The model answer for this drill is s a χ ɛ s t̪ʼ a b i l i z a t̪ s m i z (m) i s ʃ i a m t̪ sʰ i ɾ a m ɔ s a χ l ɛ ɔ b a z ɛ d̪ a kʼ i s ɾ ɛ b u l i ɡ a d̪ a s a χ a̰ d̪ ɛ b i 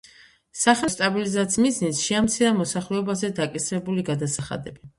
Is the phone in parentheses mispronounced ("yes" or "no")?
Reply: yes